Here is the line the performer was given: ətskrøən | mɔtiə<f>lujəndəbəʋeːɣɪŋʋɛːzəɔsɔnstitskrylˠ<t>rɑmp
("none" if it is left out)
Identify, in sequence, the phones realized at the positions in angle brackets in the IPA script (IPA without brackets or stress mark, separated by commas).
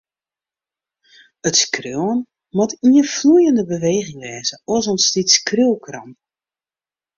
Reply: f, k